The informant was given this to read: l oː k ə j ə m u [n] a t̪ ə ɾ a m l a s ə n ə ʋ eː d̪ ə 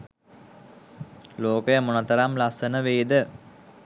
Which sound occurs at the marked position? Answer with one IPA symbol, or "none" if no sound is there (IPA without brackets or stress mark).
n